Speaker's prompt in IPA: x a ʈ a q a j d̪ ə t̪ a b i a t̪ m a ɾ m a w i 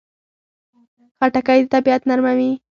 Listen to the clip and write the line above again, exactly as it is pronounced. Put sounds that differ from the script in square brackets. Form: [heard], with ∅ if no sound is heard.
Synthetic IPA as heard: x a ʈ a [k] a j d̪ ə t̪ a b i a t̪ [n] a ɾ m a w i